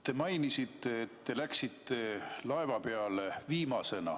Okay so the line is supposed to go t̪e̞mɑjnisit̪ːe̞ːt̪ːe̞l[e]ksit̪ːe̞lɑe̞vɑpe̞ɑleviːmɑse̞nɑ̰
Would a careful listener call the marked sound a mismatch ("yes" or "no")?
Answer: yes